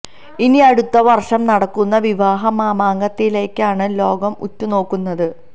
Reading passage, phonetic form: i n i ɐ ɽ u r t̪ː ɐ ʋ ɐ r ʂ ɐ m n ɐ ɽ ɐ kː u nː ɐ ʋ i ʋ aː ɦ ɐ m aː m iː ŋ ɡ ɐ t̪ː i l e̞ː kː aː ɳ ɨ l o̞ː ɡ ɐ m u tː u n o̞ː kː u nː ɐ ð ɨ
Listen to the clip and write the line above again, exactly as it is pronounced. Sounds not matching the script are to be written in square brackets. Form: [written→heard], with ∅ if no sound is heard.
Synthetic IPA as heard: i n i ɐ ɽ u [r→∅] t̪ː ɐ ʋ ɐ r ʂ ɐ m n ɐ ɽ ɐ kː u nː ɐ ʋ i ʋ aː ɦ ɐ m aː m [iː→aː] ŋ ɡ ɐ t̪ː i l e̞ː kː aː ɳ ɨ l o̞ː ɡ ɐ m u tː u n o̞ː kː u nː ɐ ð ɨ